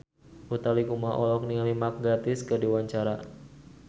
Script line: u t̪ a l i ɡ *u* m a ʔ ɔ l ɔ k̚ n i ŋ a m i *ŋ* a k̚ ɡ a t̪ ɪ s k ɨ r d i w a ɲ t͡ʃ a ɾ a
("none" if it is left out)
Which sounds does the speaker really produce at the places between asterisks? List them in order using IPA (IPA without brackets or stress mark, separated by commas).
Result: u, m